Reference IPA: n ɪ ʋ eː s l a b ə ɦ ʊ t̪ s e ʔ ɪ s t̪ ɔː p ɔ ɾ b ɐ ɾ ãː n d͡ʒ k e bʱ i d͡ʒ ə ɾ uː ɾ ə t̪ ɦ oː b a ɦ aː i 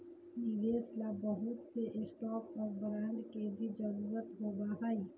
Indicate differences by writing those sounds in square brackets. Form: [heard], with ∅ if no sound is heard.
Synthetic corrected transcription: n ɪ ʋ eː s l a b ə ɦ ʊ t̪ s e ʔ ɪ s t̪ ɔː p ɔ ɾ b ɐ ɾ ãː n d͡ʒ k e bʱ i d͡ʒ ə ɾ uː ɾ ə t̪ ɦ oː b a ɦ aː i